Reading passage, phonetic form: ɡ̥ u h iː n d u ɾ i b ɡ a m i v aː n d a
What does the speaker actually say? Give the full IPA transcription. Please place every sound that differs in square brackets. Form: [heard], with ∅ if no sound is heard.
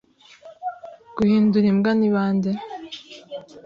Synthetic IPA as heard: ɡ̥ u h iː n d u ɾ i [m] ɡ a [n] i [β] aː n d [e]